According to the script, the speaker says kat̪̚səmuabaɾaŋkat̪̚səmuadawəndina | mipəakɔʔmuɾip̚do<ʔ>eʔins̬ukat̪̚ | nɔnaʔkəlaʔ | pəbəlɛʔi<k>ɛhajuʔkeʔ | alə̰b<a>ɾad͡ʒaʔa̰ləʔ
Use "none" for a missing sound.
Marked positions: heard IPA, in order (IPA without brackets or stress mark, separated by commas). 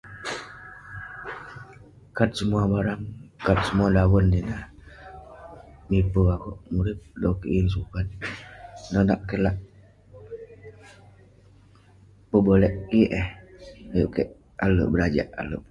k, ʔ, ə